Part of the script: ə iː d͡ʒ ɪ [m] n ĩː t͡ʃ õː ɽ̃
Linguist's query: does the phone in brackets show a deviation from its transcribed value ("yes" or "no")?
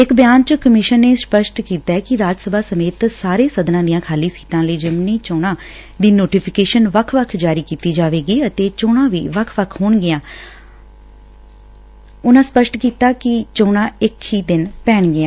no